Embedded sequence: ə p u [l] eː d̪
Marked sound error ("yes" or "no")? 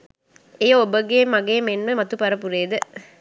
yes